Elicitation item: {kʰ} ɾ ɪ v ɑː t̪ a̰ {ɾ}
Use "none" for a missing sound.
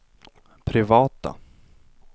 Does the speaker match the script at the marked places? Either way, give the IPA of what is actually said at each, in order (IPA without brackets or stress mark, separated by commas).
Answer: pʰ, none